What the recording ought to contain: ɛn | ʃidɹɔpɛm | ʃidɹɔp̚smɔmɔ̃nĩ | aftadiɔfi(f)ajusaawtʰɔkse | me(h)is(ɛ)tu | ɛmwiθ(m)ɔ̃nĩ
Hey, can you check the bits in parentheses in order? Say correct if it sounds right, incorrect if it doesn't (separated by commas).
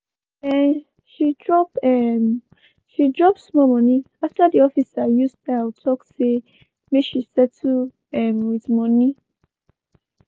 incorrect, incorrect, correct, correct